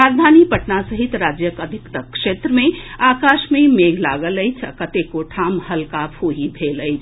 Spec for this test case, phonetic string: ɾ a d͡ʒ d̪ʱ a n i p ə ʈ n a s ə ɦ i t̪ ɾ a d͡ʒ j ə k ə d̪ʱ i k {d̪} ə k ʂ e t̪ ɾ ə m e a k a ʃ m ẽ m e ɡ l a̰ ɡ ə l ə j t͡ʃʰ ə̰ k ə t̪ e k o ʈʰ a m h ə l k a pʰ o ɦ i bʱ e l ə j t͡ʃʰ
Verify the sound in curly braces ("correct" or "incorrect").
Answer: incorrect